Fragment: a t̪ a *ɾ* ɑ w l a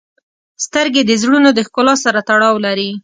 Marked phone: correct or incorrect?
incorrect